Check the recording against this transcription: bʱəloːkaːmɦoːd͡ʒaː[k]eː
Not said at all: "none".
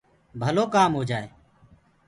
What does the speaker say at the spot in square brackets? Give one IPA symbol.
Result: none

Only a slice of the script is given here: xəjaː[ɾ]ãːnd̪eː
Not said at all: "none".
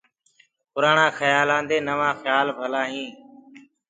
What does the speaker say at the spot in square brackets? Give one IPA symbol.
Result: l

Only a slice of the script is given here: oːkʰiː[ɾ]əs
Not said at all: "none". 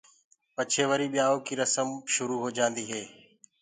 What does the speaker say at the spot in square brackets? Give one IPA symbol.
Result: ɾ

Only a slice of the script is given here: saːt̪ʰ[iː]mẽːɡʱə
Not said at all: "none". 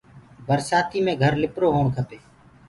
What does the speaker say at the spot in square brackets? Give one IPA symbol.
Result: iː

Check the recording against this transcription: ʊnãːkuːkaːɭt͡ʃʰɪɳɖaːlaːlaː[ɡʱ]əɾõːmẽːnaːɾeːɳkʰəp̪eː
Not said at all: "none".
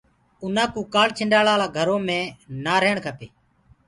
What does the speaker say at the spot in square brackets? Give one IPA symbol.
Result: ɡʱ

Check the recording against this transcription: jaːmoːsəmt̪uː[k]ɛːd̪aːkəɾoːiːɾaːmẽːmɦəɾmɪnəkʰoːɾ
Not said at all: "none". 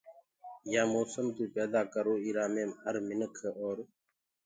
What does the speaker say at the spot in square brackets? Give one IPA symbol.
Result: p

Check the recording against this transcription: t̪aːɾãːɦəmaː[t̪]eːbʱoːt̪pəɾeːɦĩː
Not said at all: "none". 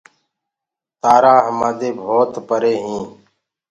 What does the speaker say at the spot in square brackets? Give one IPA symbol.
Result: d̪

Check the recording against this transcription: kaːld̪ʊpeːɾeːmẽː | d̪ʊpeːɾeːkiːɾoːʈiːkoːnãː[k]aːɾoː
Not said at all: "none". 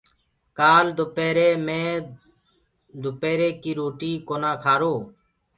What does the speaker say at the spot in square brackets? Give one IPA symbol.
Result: kʰ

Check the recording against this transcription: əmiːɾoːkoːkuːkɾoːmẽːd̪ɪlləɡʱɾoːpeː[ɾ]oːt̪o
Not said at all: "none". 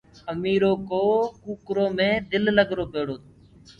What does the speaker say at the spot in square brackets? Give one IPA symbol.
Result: ɽ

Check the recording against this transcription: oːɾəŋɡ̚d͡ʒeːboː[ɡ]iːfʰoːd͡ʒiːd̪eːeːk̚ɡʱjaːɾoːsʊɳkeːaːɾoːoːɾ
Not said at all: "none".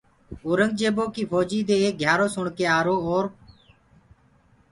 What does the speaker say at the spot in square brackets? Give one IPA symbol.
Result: k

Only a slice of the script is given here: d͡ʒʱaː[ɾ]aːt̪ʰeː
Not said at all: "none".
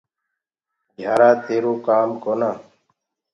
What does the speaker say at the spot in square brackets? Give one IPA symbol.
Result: ɾ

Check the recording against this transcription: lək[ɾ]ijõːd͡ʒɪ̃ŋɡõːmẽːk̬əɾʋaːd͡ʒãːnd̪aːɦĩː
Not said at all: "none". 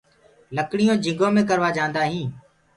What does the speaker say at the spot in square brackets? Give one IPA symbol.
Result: ɽ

